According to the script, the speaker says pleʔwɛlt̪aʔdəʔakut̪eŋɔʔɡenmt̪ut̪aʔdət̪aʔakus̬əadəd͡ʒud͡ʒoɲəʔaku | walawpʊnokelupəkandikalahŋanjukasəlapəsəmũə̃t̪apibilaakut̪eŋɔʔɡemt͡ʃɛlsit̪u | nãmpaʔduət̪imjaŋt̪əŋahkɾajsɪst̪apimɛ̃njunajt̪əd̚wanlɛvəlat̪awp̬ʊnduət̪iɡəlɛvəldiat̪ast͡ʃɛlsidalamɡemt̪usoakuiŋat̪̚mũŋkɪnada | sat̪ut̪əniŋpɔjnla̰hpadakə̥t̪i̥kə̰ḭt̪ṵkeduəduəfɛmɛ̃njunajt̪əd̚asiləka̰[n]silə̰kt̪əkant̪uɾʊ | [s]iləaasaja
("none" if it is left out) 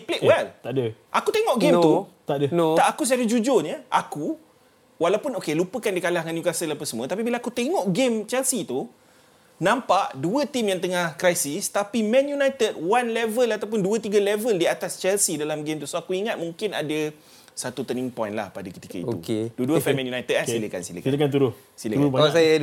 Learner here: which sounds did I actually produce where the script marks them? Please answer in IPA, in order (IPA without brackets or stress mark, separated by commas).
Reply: n, s